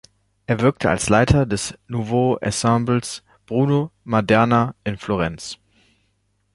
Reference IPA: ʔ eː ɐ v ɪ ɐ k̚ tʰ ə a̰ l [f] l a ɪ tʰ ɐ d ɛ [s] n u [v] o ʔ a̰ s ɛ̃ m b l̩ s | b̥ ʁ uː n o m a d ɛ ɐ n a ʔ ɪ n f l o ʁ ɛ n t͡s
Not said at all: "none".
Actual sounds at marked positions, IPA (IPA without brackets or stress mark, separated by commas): s, s, v